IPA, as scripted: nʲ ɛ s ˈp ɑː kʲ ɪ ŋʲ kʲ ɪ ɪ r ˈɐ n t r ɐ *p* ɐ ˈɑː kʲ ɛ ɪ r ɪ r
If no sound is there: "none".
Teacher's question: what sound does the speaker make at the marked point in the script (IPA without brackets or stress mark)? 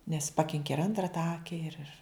t